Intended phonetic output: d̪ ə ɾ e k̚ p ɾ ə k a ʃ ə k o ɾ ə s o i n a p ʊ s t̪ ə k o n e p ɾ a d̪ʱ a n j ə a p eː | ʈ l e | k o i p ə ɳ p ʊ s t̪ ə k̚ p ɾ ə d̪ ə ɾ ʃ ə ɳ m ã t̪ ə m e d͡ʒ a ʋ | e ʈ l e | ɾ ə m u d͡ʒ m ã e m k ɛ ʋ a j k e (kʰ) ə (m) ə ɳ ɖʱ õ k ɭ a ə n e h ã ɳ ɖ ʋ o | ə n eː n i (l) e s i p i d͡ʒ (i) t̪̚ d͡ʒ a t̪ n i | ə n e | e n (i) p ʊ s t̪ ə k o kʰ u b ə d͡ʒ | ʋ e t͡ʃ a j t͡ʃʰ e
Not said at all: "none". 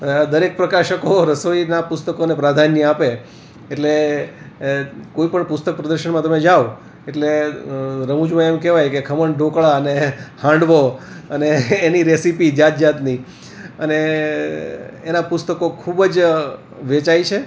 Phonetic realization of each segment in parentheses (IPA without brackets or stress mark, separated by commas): kʰ, m, ɾ, a, a